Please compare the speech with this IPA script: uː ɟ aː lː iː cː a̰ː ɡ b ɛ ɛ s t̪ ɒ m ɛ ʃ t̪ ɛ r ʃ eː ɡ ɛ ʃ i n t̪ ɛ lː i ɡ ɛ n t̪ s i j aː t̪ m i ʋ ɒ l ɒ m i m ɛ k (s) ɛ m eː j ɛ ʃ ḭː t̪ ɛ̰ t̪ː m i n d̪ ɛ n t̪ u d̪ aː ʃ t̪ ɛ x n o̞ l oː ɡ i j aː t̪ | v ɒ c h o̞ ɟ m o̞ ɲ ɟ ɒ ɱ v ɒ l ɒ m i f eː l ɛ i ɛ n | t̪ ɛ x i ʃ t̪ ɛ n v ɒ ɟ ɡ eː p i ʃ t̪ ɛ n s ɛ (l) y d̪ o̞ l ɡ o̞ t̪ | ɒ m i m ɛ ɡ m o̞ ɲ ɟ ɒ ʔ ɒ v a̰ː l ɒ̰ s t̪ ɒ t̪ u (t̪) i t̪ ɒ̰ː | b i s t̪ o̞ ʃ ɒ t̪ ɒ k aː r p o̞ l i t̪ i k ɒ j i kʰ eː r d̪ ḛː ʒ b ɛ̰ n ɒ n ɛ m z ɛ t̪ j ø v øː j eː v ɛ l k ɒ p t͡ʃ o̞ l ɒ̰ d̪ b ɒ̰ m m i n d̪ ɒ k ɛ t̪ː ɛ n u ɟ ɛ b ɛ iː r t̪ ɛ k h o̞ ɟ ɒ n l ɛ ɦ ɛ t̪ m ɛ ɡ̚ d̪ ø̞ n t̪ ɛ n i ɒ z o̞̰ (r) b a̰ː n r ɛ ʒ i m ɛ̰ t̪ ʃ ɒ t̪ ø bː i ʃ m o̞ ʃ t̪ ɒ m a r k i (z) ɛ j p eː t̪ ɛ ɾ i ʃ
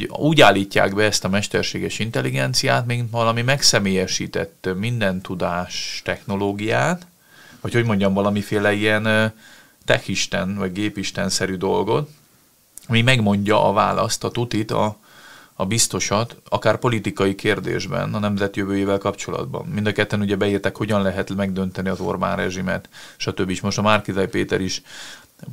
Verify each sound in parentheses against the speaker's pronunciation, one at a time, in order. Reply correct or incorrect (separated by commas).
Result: correct, incorrect, correct, correct, correct